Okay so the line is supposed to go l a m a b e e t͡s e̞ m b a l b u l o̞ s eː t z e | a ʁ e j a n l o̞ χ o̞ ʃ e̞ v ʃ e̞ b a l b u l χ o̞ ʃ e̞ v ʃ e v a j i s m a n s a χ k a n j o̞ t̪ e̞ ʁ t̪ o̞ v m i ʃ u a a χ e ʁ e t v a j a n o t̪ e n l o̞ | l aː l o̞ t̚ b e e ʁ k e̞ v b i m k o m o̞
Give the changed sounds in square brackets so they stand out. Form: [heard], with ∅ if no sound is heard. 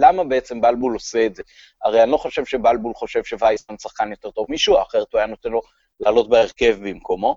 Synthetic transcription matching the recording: l a m a b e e t͡s e̞ m b a l b u l o̞ s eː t z e | a ʁ e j a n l o̞ χ o̞ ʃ e̞ v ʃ e̞ b a l b u l χ o̞ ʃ e̞ v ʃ e v a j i s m a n s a χ k a n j o̞ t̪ e̞ ʁ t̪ o̞ v m i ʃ u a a χ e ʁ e t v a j a n o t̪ e n l o̞ | l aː l o̞ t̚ b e e ʁ k e̞ v b i m k o m o̞